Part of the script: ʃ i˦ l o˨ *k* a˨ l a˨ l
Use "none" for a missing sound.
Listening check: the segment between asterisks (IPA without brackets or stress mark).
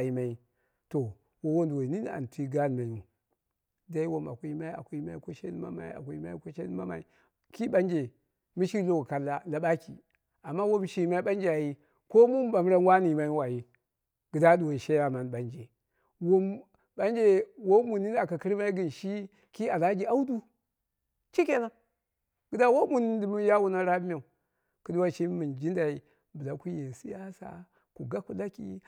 k